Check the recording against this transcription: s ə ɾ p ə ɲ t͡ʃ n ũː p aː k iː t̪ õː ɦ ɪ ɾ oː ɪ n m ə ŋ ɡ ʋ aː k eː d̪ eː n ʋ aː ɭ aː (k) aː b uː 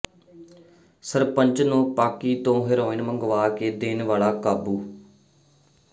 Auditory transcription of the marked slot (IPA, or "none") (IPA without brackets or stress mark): k